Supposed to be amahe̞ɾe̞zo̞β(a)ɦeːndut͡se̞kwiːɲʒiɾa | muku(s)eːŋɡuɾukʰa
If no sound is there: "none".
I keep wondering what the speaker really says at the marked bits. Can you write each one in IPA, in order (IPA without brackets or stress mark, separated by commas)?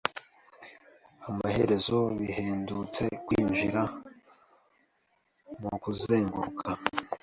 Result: i, z